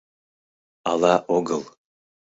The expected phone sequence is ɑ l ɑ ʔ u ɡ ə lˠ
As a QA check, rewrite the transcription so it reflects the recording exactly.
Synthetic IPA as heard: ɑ l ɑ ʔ o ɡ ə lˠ